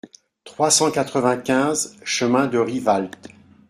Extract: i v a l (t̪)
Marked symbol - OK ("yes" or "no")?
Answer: yes